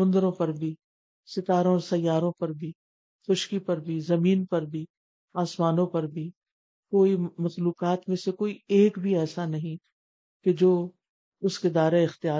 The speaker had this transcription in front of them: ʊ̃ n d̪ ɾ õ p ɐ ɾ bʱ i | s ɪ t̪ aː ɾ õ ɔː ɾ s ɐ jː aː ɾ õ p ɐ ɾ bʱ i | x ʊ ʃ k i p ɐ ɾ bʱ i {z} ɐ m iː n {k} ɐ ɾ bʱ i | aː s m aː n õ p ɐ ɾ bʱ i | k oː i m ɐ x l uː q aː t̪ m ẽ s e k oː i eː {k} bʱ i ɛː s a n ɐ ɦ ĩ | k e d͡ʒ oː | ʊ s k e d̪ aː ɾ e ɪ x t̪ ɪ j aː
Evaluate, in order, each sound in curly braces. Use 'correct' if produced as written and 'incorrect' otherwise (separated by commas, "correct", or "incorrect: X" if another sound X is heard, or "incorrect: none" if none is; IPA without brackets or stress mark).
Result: correct, incorrect: p, correct